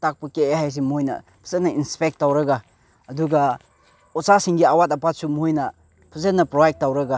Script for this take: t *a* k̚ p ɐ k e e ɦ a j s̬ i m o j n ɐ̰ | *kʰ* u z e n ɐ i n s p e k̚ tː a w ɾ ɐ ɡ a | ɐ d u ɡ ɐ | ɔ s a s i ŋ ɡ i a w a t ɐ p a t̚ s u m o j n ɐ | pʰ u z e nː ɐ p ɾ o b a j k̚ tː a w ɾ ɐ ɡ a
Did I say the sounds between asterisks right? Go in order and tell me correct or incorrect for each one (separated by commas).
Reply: correct, incorrect